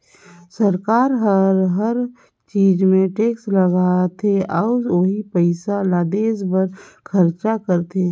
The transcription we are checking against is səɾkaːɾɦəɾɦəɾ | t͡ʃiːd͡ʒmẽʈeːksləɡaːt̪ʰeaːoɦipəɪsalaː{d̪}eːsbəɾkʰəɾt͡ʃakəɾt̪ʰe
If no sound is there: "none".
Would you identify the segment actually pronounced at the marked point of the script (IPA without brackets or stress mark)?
d̪